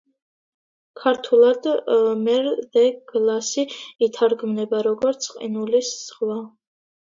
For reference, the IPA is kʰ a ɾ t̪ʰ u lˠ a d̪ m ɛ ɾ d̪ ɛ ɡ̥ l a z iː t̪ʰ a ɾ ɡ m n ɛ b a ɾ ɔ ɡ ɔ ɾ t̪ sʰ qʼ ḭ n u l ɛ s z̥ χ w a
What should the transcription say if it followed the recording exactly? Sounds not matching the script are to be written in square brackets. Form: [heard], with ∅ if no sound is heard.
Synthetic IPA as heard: kʰ a ɾ t̪ʰ u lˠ a d̪ m ɛ ɾ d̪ ɛ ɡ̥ l a [s] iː t̪ʰ a ɾ ɡ m n ɛ b a ɾ ɔ ɡ ɔ ɾ t̪ sʰ qʼ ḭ n u l [i] s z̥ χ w a